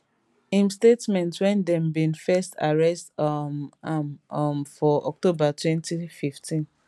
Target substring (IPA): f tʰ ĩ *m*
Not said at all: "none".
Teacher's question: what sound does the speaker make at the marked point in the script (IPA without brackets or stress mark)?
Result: n